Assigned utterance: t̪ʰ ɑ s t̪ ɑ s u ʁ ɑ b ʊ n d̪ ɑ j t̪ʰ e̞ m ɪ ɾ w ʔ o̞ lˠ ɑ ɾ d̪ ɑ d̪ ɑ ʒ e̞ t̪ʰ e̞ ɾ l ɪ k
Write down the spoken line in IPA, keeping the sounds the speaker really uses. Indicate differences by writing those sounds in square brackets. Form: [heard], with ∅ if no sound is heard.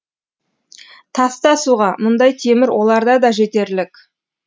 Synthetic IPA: t̪ʰ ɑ s t̪ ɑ s u ʁ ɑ [m] ʊ n d̪ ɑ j t̪ʰ e̞ m ɪ ɾ w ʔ o̞ lˠ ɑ ɾ d̪ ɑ d̪ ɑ ʒ e̞ [t̪] e̞ ɾ l ɪ k